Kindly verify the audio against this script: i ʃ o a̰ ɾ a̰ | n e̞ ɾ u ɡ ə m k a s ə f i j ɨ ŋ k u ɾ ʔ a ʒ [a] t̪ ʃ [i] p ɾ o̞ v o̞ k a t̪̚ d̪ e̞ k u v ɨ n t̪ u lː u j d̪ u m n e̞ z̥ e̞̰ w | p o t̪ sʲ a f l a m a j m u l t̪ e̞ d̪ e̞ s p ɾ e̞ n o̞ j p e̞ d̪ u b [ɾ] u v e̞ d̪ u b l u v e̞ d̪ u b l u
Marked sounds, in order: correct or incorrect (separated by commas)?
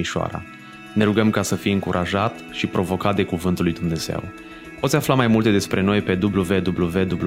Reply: correct, correct, incorrect